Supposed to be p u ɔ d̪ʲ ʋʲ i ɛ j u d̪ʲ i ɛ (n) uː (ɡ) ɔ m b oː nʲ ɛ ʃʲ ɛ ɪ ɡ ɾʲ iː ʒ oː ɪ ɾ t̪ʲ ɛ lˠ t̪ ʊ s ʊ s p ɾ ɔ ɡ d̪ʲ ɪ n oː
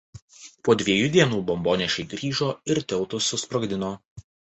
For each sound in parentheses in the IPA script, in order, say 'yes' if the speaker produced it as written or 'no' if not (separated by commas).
yes, no